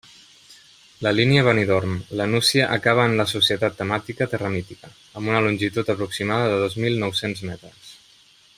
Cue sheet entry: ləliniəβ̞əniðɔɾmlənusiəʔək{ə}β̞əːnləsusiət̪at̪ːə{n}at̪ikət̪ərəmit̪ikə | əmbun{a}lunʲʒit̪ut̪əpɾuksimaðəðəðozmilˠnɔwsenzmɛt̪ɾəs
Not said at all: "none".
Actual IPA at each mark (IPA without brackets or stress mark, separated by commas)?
a, m, ə